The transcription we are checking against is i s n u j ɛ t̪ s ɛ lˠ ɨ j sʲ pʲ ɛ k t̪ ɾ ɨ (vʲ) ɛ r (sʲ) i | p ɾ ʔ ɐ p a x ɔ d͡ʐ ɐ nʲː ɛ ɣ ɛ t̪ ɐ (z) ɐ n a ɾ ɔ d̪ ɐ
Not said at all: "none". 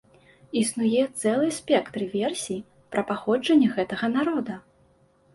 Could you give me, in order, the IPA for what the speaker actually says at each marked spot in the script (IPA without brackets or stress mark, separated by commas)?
vʲ, sʲ, ɣ